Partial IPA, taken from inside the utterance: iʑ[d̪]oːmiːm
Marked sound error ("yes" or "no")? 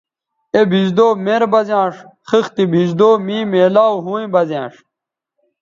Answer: no